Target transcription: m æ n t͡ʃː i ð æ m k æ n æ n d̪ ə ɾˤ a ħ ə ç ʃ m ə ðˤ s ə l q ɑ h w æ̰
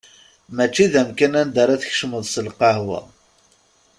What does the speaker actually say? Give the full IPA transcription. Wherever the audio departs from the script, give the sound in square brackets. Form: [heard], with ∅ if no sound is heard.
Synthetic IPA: m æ [∅] t͡ʃː i ð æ m k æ n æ n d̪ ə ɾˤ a [θ] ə ç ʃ m ə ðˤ s ə l q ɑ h w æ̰